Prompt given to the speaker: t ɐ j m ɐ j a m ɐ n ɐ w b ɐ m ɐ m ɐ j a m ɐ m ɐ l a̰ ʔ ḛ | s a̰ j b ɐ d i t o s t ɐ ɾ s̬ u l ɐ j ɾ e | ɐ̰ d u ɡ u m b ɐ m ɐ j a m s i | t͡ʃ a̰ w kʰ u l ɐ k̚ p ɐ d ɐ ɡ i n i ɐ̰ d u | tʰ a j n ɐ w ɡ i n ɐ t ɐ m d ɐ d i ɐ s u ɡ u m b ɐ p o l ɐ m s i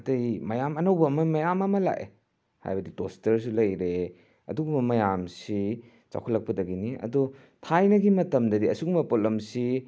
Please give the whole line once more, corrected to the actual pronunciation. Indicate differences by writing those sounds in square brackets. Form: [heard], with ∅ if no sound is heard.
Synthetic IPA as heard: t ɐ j m ɐ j a m ɐ n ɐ w b ɐ m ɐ m ɐ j a m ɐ m ɐ l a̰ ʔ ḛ | [h] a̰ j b ɐ d i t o s t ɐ ɾ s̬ u l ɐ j ɾ e | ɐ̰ d u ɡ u m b ɐ m ɐ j a m s i | t͡ʃ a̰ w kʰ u l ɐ k̚ p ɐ d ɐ ɡ i n i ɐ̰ d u | tʰ a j n ɐ [∅] ɡ i [m] ɐ t ɐ m d ɐ d i ɐ s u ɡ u m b ɐ p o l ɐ m s i